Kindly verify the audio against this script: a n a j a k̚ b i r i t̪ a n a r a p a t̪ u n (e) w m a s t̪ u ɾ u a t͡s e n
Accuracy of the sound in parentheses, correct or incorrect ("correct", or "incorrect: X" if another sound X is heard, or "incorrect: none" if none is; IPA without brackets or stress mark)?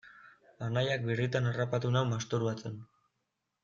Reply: incorrect: a